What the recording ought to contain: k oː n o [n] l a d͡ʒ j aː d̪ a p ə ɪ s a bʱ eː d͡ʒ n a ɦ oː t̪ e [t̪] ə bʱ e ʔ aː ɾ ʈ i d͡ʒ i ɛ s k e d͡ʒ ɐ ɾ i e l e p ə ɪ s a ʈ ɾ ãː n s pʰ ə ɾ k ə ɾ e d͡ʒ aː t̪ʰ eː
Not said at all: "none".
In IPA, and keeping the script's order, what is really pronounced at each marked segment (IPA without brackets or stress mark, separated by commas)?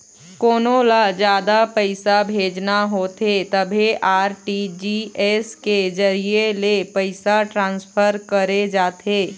none, t̪